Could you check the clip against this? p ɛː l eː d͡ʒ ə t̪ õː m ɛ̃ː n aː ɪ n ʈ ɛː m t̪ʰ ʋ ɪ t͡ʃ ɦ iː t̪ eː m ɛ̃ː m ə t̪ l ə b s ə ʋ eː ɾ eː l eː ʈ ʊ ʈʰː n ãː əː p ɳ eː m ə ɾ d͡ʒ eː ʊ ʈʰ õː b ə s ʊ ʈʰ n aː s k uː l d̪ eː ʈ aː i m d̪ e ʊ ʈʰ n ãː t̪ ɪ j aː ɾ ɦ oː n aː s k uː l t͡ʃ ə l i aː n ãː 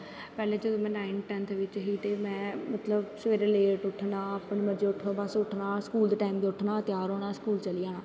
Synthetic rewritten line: p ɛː l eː d͡ʒ ə d̪ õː m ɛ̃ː n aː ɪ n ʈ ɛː n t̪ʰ ʋ ɪ t͡ʃ ɦ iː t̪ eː m ɛ̃ː m ə t̪ l ə b s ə ʋ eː ɾ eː l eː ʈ ʊ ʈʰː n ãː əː p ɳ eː m ə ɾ d͡ʒ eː ʊ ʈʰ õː b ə s ʊ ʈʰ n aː s k uː l d̪ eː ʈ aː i m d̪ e ʊ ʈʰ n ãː t̪ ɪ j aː ɾ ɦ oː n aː s k uː l t͡ʃ ə l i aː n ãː

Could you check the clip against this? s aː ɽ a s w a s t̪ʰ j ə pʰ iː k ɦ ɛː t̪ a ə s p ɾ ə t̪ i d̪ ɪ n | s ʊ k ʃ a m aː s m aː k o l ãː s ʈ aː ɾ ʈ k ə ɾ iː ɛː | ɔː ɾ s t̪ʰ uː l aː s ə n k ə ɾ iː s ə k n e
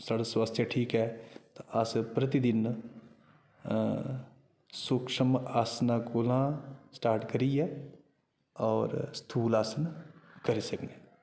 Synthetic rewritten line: s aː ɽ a s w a s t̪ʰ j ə ʈʰ iː k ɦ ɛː t̪ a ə s p ɾ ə t̪ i d̪ ɪ n | s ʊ k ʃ ə m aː s n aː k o l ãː s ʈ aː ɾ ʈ k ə ɾ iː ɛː | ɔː ɾ s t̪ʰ uː l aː s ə n k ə ɾ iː s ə k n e

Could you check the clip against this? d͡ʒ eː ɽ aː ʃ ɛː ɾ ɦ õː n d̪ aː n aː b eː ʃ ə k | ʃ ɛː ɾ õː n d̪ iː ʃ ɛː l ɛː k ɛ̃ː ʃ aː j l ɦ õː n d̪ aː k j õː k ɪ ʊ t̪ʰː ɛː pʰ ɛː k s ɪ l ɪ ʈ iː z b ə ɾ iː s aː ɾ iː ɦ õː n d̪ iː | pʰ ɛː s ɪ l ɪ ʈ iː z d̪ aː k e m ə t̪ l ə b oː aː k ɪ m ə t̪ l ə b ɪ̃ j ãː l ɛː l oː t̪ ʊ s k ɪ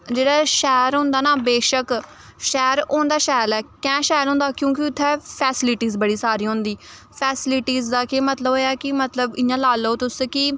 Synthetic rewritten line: d͡ʒ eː ɽ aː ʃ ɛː ɾ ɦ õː n d̪ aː n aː b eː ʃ ə k | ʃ ɛː ɾ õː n d̪ aː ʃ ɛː l ɛː k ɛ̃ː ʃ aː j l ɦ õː n d̪ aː k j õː k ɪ ʊ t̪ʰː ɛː pʰ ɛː s ɪ l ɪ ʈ iː z b ə ɽ iː s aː ɾ iː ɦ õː n d̪ iː | pʰ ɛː s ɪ l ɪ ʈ iː z d̪ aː k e m ə t̪ l ə b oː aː k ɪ m ə t̪ l ə b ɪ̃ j ãː l aː l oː t̪ ʊ s k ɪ

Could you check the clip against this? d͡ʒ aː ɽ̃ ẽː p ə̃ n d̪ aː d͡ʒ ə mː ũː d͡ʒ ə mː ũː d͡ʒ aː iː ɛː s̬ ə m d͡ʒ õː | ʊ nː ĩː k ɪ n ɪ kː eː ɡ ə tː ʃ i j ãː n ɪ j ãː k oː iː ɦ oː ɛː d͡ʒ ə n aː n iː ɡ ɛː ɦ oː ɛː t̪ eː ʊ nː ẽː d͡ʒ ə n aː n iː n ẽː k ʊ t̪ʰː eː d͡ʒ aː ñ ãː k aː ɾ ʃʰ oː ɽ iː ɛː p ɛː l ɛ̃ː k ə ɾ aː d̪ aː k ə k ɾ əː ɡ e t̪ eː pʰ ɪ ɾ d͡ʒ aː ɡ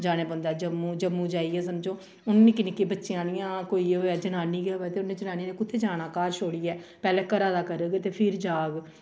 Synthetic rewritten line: d͡ʒ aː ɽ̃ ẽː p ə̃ n d̪ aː d͡ʒ ə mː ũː d͡ʒ ə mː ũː d͡ʒ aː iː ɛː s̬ ə m d͡ʒ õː | ʊ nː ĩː k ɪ n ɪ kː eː b ə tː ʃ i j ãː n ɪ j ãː k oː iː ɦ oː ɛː d͡ʒ ə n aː n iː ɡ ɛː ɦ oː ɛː t̪ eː ʊ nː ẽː d͡ʒ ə n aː n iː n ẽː k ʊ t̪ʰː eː d͡ʒ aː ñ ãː k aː ɾ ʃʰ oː ɽ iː ɛː p ɛː l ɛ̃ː k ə ɾ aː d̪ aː k ə ɾ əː ɡ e t̪ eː pʰ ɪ ɾ d͡ʒ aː ɡ

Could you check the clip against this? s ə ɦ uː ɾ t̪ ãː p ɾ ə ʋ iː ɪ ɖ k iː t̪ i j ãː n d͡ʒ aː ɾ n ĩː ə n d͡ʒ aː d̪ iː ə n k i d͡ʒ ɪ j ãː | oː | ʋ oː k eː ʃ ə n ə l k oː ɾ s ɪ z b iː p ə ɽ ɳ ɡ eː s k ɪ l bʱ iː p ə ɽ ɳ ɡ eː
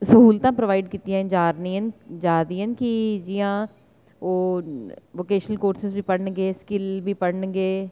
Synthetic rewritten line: s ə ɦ uː l t̪ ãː p ɾ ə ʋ aː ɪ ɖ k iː t̪ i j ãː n d͡ʒ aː ɾ n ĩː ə n d͡ʒ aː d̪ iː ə n k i d͡ʒ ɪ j ãː | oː | ʋ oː k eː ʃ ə n ə l k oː ɾ s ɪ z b iː p ə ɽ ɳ ɡ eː s k ɪ l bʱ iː p ə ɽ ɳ ɡ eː

